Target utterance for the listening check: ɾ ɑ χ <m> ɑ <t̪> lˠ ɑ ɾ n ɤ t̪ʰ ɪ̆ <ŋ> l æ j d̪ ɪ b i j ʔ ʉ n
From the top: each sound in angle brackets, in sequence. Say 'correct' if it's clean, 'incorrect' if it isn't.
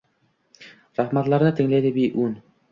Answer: correct, correct, correct

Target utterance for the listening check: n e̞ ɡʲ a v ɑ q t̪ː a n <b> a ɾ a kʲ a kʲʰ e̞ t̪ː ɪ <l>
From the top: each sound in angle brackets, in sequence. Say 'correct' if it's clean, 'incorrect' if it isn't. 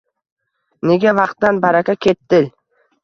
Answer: correct, correct

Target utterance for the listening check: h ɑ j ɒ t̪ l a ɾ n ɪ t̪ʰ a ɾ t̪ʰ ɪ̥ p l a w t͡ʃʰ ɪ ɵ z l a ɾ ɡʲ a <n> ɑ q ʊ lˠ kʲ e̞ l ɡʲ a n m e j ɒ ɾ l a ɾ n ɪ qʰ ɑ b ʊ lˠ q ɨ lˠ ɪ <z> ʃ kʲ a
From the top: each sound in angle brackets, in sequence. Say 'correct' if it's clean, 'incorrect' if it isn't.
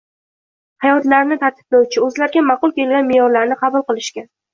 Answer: incorrect, incorrect

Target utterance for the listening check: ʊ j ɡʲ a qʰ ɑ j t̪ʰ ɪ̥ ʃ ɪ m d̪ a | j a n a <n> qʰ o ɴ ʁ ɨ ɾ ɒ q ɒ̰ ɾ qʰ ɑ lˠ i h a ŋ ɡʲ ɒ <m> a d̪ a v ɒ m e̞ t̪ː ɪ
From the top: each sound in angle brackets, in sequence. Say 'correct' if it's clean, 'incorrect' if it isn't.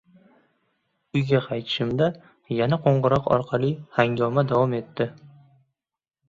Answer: incorrect, correct

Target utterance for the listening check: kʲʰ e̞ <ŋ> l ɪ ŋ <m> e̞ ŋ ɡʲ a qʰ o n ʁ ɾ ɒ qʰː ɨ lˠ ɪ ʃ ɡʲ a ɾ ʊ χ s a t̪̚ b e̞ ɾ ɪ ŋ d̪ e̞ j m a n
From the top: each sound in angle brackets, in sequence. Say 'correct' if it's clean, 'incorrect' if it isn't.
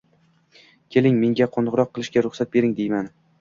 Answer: incorrect, correct

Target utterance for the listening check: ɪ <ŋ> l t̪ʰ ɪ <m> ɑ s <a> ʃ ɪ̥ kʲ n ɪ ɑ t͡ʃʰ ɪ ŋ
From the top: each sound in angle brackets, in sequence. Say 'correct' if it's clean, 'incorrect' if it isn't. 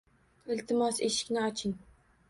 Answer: incorrect, correct, incorrect

